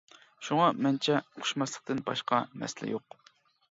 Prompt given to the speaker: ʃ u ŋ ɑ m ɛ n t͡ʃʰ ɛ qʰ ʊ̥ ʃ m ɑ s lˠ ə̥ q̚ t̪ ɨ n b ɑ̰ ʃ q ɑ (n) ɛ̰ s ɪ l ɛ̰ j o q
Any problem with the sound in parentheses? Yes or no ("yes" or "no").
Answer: yes